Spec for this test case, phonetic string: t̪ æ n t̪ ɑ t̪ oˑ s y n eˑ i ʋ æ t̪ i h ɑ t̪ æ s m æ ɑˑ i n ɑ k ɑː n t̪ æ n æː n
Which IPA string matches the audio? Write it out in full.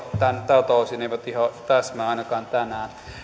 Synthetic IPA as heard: t̪ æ n t̪ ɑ t̪ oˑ s i n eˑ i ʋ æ t̪ i h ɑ t̪ æ s m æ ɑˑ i n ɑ k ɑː n t̪ æ n æː n